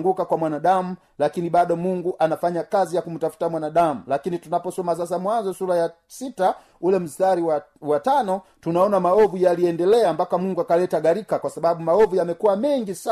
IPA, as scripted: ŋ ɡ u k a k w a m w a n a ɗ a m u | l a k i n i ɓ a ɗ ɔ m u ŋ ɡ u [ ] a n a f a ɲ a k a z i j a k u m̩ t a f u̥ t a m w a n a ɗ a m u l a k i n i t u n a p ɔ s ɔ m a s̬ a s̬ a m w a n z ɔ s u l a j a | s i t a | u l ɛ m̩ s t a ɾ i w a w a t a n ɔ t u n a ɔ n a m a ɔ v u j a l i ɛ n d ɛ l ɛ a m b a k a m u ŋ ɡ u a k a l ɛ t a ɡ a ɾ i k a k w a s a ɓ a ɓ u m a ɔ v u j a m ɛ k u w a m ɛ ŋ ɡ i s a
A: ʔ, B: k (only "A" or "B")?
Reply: A